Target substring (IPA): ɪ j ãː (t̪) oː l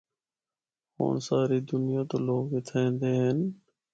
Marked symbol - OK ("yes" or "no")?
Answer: yes